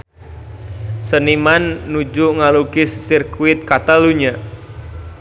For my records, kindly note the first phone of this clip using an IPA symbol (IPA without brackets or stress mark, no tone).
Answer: s